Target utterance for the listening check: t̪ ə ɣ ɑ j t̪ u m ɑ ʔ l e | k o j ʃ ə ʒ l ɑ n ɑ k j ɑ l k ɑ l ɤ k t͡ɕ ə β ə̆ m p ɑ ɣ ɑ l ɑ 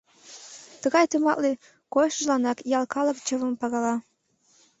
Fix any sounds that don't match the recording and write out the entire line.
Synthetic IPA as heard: t̪ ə ɣ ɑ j t̪ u m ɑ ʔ l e | k o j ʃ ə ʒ l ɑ n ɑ k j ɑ l k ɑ l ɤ k t͡ɕ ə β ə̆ m p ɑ ɣ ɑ l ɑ